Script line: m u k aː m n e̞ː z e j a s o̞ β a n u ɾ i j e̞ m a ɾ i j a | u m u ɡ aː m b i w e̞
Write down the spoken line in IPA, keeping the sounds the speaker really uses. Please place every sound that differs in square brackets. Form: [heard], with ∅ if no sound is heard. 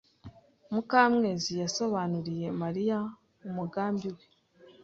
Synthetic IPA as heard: m u k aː m [ŋ] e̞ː z [i] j a s o̞ β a n u ɾ i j e̞ m a ɾ i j a | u m u ɡ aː m b i w e̞

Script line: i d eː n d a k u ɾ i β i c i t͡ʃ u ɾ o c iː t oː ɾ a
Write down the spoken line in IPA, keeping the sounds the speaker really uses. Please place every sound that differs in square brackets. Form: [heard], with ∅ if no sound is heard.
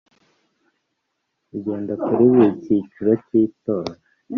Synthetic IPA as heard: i [ɟ] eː n d a k u ɾ i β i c i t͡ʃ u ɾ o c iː t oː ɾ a

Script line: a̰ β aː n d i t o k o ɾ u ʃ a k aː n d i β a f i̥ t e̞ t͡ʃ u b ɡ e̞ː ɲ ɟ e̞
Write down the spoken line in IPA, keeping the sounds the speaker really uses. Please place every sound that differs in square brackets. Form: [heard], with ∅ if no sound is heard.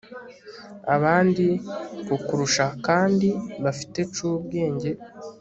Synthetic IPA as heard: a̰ β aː n d i [k] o k [u] ɾ u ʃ a k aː n d i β a f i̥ t e̞ t͡ʃ u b ɡ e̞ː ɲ ɟ e̞

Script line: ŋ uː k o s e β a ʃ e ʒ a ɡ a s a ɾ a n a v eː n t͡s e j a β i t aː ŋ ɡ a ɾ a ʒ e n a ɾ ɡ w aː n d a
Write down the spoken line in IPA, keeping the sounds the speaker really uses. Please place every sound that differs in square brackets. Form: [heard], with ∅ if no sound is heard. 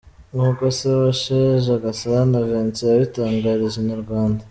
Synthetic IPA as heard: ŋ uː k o s e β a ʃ e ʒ a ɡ a s a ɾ a n a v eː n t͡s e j a β i t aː ŋ ɡ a ɾ [i] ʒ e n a ɾ ɡ w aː n d a

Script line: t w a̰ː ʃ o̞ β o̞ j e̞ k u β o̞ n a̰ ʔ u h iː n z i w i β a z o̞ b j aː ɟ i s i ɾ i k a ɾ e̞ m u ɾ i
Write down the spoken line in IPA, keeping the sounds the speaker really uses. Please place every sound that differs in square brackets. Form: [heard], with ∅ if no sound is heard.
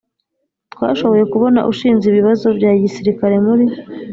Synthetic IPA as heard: t w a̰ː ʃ o̞ β o̞ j e̞ k u β o̞ n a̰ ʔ u [ʃ] iː n z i [β] i β a z o̞ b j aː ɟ i s i ɾ i k a ɾ e̞ m u ɾ i

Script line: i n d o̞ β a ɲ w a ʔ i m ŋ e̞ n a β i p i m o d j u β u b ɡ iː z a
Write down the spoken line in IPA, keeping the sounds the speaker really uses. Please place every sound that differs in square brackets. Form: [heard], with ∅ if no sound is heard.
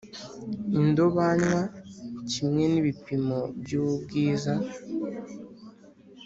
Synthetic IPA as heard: i n d o̞ β a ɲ w a [c] i m ŋ e̞ n [i] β i p i m o [b] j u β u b ɡ iː z a

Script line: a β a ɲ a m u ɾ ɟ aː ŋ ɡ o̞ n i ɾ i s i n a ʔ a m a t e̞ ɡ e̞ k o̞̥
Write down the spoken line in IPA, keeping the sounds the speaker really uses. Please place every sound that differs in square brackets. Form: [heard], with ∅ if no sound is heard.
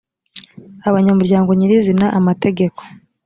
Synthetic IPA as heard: a β a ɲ a m u ɾ ɟ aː ŋ ɡ o̞ [ɲ] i ɾ i [z] i n a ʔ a m a t e̞ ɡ e̞ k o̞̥

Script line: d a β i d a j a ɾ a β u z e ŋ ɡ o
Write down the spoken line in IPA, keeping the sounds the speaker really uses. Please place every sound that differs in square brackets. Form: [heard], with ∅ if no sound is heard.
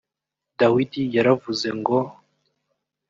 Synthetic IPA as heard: d a [w] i d [i] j a ɾ a [v] u z e ŋ ɡ o

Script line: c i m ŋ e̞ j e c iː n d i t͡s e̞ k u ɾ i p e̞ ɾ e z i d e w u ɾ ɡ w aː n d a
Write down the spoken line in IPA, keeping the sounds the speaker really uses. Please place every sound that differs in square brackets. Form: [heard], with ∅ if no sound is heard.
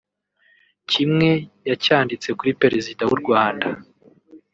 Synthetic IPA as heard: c i m ŋ e̞ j [a] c [aː] n d i t͡s e̞ k u ɾ i p e̞ ɾ e z i d [a] w u ɾ ɡ w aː n d a

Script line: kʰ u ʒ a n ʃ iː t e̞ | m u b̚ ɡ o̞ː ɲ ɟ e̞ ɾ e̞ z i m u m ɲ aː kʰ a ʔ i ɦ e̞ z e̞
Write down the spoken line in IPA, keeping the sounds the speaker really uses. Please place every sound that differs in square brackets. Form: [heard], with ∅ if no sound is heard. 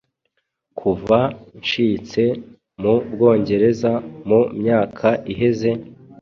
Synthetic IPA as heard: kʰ u [v] a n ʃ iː [t͡s] e̞ | m u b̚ ɡ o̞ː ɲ ɟ e̞ ɾ e̞ z [a] m u m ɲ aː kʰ a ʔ i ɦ e̞ z e̞

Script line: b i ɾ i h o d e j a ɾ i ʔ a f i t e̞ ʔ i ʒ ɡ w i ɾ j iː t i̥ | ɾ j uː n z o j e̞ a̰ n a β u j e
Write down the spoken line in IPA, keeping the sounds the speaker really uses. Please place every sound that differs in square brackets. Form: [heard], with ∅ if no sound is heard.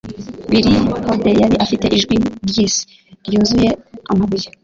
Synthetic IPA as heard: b i ɾ i h o d e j a ɾ i ʔ a f i t e̞ ʔ i ʒ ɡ w i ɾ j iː [s] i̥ | ɾ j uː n z [u] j e̞ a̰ [m] a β u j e

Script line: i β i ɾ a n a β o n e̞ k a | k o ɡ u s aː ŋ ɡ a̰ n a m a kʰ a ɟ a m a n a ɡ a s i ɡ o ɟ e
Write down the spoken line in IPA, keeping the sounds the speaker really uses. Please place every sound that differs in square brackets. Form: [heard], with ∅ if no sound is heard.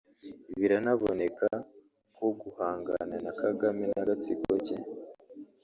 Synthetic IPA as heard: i β i ɾ a n a β o n e̞ k a | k o ɡ u [h] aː ŋ ɡ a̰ n a [n] a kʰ a [ɡ] a m [e] n a ɡ a [t͡s] i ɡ o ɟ e

